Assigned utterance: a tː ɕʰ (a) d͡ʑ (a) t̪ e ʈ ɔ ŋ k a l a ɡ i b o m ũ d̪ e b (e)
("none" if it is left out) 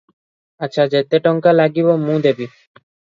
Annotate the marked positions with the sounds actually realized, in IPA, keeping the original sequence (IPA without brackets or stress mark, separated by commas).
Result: a, e, i